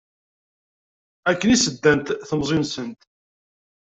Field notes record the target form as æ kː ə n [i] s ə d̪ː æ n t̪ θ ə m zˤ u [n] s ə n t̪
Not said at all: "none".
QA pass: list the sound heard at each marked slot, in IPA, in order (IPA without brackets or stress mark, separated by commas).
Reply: i, n